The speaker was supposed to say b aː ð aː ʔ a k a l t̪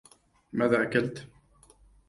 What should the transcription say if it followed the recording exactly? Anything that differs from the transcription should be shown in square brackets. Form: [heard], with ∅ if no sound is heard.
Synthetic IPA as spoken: [m] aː ð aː ʔ a k a l t̪